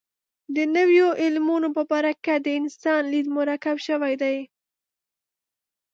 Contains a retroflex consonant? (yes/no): no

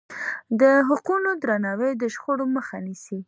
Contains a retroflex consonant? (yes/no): yes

